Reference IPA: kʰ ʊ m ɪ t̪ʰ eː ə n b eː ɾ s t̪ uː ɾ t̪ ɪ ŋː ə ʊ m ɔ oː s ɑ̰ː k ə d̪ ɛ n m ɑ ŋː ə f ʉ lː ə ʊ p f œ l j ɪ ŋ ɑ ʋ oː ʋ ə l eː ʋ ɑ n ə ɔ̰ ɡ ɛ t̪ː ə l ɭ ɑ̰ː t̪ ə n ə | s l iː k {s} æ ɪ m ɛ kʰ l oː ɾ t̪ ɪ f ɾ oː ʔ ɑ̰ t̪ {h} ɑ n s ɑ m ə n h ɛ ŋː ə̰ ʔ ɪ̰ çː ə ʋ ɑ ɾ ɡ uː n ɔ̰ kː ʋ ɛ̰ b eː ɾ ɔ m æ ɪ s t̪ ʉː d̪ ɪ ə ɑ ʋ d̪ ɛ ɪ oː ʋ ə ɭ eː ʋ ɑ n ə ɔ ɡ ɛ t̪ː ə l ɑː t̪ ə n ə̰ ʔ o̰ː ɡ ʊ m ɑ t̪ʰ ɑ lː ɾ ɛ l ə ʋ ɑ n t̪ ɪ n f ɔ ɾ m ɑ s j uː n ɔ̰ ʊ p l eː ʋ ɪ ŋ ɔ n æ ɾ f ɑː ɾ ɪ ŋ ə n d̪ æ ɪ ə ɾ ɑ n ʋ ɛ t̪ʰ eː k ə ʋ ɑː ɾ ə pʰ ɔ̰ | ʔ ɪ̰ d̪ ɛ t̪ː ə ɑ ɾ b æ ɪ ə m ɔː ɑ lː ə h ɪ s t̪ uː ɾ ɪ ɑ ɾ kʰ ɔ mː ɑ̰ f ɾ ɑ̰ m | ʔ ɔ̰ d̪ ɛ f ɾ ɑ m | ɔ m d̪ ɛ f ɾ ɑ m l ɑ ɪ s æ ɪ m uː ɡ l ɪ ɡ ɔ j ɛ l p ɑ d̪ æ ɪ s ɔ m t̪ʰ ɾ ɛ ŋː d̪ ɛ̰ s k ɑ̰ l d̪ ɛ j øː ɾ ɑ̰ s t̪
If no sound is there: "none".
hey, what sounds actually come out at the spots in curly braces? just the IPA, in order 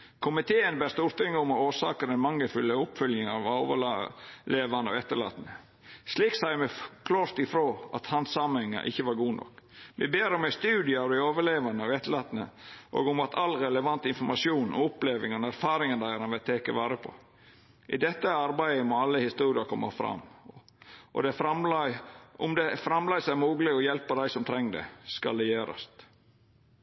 s, h

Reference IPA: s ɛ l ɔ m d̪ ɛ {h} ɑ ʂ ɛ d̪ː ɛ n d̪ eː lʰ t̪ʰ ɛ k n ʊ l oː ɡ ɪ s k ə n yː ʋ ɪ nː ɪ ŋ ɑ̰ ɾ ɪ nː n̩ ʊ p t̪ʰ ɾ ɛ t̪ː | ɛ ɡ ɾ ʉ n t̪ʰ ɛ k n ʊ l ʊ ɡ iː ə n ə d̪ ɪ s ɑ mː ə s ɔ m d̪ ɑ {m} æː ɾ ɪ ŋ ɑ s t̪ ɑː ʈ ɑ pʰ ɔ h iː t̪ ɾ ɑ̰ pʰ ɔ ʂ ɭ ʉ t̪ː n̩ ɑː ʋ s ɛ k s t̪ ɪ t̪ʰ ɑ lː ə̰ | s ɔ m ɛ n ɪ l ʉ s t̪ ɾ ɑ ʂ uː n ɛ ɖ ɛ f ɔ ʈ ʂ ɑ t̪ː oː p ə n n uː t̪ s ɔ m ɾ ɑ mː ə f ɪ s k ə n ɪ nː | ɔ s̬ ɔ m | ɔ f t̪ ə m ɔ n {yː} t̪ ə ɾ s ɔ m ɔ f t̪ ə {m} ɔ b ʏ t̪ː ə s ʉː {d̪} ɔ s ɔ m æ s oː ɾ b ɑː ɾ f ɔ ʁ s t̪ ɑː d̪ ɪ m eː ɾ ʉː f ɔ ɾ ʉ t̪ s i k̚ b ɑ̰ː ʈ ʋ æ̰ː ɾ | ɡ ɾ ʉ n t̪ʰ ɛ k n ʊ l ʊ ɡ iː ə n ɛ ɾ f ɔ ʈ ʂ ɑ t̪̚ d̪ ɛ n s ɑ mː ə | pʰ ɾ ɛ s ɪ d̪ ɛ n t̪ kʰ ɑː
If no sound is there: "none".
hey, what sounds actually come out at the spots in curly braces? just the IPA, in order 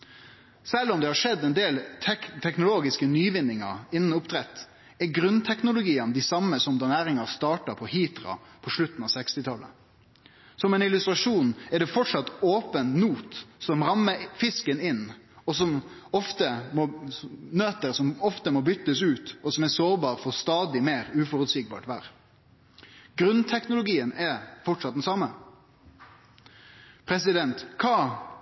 h, n, øː, m, t̪

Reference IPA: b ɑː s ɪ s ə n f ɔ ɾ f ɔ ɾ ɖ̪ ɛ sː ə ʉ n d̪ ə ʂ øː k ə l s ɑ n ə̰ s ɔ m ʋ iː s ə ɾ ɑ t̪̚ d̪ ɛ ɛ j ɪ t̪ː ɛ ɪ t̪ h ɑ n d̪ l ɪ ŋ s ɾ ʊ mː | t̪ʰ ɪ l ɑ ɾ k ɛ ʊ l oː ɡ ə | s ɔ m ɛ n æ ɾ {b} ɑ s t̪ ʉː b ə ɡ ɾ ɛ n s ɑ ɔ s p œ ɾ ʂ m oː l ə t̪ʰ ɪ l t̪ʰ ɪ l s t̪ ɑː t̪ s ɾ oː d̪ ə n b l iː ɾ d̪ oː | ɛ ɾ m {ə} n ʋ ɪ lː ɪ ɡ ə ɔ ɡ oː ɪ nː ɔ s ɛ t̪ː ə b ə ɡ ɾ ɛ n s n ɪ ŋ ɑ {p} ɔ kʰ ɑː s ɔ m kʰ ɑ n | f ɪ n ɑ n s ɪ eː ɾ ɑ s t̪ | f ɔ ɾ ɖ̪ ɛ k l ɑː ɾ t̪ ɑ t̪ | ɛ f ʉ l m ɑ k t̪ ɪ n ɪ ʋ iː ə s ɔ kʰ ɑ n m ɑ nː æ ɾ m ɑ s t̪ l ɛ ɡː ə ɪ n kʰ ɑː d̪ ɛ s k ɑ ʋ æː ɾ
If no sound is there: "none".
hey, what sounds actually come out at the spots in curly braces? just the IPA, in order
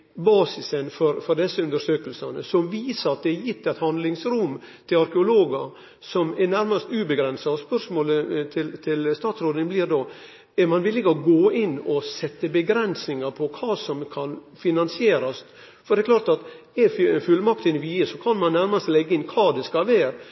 m, ɑ, pʰ

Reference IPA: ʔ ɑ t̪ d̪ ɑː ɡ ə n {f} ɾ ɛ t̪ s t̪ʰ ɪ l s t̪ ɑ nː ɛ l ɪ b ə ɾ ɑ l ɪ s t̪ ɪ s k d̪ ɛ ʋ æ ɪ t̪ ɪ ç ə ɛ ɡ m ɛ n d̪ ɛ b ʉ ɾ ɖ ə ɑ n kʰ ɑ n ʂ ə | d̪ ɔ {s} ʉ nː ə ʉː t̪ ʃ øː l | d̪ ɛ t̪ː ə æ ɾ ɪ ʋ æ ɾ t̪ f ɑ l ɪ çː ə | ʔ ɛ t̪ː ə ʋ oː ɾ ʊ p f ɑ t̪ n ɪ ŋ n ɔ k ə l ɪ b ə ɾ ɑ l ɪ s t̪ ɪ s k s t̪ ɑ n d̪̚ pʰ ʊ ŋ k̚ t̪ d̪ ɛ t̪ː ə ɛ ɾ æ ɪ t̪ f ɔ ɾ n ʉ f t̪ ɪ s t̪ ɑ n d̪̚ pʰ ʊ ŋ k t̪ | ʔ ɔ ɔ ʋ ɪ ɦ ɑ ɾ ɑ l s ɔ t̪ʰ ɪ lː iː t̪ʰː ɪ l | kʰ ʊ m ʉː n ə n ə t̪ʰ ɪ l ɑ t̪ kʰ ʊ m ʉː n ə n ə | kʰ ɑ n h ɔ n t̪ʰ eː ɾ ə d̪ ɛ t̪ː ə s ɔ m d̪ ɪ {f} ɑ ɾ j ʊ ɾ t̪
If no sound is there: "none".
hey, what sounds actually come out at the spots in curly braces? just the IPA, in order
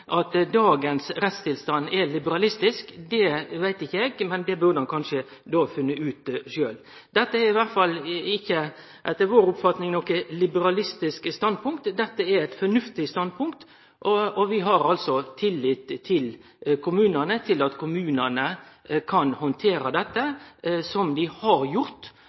s, f, h

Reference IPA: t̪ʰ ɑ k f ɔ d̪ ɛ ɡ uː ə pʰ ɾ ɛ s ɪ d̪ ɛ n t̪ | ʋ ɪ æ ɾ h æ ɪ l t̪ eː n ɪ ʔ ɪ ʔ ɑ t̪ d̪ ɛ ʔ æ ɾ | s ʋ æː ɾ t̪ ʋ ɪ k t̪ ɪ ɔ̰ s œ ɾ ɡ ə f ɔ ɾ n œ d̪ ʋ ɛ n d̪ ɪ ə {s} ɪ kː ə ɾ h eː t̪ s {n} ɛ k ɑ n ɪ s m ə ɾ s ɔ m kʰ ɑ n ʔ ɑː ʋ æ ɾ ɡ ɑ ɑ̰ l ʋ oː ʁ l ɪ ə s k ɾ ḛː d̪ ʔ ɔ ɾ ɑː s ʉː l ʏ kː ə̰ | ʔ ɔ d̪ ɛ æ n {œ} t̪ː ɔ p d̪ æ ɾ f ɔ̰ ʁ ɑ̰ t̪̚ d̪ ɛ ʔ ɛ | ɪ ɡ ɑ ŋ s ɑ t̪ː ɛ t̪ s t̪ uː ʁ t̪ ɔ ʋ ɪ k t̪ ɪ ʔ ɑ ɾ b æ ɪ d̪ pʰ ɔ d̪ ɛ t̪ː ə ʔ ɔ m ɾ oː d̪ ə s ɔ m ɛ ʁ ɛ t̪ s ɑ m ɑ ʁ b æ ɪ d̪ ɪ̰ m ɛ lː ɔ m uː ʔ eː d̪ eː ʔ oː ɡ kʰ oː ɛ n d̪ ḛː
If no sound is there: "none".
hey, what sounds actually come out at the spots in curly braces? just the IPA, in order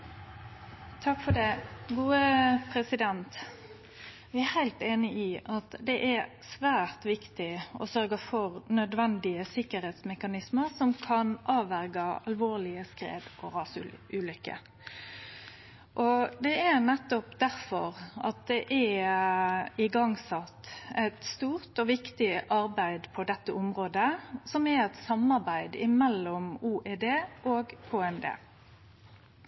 s, m, ɛ

